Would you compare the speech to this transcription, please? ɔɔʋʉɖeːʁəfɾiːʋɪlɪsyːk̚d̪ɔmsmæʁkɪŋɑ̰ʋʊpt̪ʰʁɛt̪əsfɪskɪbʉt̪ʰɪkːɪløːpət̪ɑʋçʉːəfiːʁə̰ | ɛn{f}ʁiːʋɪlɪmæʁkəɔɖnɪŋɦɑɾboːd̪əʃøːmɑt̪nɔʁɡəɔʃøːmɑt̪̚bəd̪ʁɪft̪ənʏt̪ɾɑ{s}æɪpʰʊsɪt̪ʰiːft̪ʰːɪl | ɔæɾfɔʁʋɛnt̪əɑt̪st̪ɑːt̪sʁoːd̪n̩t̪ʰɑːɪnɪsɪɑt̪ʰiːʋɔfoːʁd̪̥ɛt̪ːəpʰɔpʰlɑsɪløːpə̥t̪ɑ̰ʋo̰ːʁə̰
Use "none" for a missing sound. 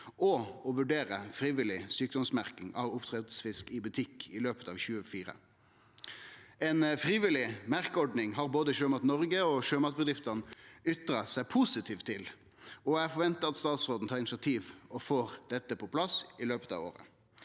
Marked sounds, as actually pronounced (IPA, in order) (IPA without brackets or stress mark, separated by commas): f, s